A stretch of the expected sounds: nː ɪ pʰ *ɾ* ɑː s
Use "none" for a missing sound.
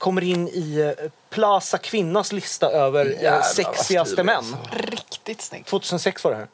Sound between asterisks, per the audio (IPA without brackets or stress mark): l